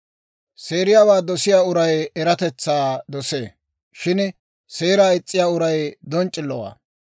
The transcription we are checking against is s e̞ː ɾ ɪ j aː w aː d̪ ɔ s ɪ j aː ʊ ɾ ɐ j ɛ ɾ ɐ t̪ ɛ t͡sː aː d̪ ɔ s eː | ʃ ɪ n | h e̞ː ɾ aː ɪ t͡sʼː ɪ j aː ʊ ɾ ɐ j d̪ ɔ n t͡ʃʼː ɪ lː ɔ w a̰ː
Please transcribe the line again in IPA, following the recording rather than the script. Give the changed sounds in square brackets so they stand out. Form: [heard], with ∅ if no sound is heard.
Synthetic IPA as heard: s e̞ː ɾ ɪ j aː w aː d̪ ɔ s ɪ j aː ʊ ɾ ɐ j ɛ ɾ ɐ t̪ ɛ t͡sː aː d̪ ɔ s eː | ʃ ɪ n | [s] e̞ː ɾ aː ɪ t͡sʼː ɪ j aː ʊ ɾ ɐ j d̪ ɔ n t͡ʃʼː ɪ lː ɔ w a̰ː

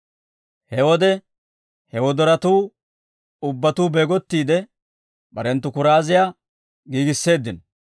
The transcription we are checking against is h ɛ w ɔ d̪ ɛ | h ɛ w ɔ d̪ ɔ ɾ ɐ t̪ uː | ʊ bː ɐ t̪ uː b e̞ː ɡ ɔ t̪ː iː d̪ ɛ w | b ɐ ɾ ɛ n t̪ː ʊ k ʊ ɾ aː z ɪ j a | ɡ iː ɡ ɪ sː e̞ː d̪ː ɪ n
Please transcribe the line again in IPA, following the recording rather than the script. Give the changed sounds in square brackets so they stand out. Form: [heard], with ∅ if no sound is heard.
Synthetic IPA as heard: h ɛ w ɔ d̪ ɛ | h ɛ w ɔ d̪ ɔ ɾ ɐ t̪ uː | ʊ bː ɐ t̪ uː b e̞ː ɡ ɔ t̪ː iː d̪ ɛ [∅] | b ɐ ɾ ɛ n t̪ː ʊ k ʊ ɾ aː z ɪ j a | ɡ iː ɡ ɪ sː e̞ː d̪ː ɪ n

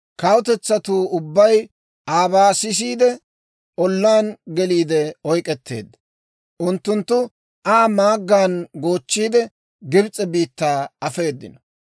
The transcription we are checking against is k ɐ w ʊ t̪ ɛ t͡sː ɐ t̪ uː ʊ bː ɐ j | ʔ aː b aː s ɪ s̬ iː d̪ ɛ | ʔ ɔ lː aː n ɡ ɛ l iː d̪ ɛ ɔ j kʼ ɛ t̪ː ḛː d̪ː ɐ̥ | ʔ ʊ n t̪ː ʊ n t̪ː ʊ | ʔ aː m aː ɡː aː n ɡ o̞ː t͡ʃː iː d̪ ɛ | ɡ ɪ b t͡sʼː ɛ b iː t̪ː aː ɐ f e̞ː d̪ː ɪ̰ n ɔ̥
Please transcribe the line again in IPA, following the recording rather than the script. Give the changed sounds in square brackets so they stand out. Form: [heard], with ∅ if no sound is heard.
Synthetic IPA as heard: k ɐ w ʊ t̪ ɛ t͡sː ɐ t̪ uː ʊ bː ɐ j | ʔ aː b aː s ɪ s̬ iː d̪ ɛ | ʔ ɔ lː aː n ɡ ɛ l iː d̪ ɛ ɔ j kʼ ɛ t̪ː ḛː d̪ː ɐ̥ | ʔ ʊ n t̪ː ʊ n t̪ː ʊ | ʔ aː m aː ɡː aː n ɡ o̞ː t͡ʃː iː d̪ ɛ | ɡ ɪ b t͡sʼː ɛ b iː t̪ː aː ɐ f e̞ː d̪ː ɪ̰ n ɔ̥

